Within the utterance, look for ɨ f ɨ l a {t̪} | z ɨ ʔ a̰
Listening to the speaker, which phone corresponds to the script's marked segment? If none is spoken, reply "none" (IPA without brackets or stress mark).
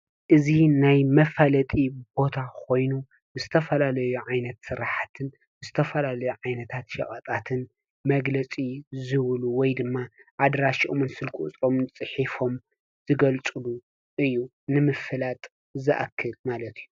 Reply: t̪ʼ